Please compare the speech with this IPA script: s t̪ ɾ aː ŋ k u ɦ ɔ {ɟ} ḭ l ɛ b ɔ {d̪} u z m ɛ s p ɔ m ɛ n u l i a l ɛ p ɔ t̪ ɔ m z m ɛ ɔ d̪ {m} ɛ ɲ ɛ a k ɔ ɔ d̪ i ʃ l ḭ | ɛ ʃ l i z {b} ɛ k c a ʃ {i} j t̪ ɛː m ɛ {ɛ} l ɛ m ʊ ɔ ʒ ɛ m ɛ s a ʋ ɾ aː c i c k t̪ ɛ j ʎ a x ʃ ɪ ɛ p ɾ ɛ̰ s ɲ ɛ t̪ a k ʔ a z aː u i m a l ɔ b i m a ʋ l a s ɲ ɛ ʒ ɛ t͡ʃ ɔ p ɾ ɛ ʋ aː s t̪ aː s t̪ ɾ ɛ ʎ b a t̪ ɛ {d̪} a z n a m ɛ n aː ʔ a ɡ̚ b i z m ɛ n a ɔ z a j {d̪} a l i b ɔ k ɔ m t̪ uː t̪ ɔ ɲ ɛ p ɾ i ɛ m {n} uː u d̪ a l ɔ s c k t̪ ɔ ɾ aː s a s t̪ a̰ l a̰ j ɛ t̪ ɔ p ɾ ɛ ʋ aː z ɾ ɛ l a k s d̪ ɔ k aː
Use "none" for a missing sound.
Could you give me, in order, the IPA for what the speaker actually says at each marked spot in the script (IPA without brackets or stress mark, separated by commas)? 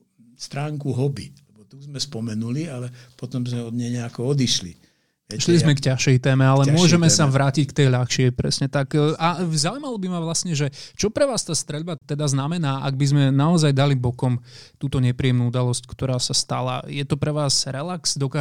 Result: b, t̪, ɲ, m, ɛ, a, d̪, d̪, n